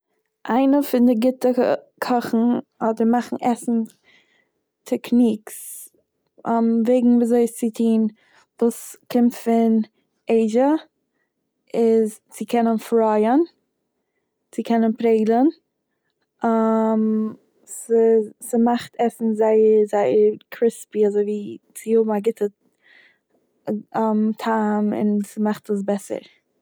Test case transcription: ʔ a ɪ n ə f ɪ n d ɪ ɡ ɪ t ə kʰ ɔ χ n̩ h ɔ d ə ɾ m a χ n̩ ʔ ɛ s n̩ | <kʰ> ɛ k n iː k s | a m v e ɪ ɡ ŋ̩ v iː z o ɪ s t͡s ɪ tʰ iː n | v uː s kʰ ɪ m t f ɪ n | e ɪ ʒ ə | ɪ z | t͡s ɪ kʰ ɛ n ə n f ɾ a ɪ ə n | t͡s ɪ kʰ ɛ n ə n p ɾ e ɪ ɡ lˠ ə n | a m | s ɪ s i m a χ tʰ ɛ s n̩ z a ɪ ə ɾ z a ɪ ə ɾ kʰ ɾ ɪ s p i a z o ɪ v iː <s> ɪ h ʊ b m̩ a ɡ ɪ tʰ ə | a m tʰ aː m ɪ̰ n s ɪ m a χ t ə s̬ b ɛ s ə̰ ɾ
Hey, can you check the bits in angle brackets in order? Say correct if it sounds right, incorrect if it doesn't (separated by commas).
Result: incorrect, incorrect